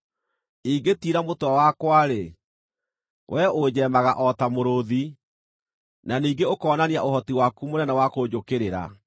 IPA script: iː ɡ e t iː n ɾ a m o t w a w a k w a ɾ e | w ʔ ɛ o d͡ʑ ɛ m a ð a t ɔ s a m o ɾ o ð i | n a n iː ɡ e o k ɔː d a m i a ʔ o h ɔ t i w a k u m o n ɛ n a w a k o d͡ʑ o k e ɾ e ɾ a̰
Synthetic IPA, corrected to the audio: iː ɡ e t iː ɾ a m o t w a w a k w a ɾ e | w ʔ ɛ o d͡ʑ ɛ m a ɣ a ʔ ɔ t a m o ɾ o ð i | n a n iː ɡ e o k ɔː n a n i a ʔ o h ɔ t i w a k u m o n ɛ n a w a k o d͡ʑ o k e ɾ e ɾ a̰